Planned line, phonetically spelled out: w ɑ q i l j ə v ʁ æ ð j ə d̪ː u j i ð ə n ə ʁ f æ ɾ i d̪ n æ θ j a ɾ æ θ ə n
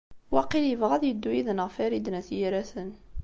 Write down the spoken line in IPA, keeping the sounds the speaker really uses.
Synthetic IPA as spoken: w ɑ q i l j ə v ʁ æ ð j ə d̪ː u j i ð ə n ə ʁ f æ ɾ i d̪ n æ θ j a ɾ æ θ ə n

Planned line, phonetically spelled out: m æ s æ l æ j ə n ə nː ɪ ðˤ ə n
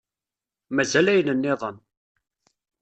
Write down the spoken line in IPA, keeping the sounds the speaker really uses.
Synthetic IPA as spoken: m æ z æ l æ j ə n ə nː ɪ ðˤ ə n

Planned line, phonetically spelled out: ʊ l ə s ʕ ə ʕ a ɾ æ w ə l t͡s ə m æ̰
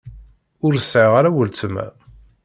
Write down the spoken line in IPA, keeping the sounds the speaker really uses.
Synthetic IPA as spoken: ʊ ɾ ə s ʕ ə ʁ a ɾ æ w ə l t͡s ə m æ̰

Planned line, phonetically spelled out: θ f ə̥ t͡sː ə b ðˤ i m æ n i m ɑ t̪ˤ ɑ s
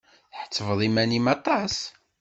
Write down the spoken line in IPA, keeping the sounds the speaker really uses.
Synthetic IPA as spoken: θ ħ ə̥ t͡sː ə v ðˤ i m æ n i m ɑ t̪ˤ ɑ s

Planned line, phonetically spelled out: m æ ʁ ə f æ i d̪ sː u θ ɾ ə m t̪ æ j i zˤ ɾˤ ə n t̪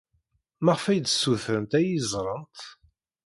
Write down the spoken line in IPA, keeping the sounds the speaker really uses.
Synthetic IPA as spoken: m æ ʁ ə f æ j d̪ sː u θ ɾ ə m t̪ æ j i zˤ ɾˤ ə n t̪

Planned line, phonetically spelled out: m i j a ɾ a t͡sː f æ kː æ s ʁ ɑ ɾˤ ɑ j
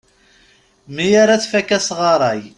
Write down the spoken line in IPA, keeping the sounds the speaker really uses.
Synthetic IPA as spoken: m i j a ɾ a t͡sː f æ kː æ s ʁ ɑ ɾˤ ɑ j

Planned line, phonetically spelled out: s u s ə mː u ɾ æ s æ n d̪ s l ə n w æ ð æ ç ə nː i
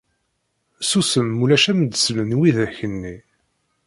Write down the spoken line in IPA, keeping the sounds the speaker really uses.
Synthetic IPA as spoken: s u s ə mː u l æ ʃ æ m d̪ s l ə n w i ð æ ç ə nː i

